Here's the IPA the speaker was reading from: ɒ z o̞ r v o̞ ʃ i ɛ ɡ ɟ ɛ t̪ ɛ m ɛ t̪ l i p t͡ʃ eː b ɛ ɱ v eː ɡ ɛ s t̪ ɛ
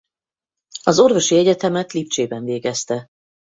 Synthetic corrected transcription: ɒ z o̞ r v o̞ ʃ i ɛ ɟ ɛ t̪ ɛ m ɛ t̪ l i p t͡ʃ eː b ɛ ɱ v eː ɡ ɛ s t̪ ɛ